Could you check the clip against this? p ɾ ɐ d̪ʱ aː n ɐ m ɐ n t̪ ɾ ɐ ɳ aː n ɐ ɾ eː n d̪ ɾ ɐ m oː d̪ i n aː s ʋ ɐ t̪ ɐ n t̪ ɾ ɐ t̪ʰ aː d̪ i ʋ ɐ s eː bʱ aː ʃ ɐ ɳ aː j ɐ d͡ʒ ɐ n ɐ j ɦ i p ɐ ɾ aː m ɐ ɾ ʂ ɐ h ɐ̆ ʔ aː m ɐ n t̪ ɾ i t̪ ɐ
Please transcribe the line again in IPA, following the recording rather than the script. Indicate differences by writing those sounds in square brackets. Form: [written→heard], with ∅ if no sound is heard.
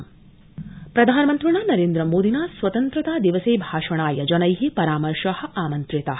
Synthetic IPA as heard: p ɾ ɐ d̪ʱ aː n ɐ m ɐ n t̪ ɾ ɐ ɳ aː n ɐ ɾ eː n d̪ ɾ ɐ m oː d̪ i n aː s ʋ ɐ t̪ ɐ n t̪ ɾ ɐ [t̪ʰ→t̪] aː d̪ i ʋ ɐ s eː bʱ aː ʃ ɐ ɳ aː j ɐ d͡ʒ ɐ n ɐ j ɦ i p ɐ ɾ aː m ɐ ɾ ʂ ɐ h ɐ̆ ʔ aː m ɐ n t̪ ɾ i t̪ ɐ